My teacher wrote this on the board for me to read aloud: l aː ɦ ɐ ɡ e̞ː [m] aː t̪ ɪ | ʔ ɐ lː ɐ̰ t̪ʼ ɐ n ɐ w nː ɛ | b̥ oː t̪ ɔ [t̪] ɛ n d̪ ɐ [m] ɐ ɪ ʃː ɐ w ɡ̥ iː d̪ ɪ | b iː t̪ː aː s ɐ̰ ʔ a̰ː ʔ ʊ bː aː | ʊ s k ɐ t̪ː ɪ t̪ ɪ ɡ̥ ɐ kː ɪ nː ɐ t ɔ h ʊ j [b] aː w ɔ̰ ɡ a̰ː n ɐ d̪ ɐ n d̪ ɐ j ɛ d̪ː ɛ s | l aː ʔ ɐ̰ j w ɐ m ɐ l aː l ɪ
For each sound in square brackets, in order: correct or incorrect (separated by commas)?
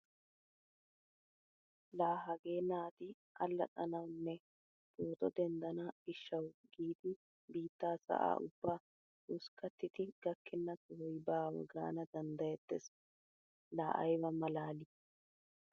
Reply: incorrect, incorrect, incorrect, correct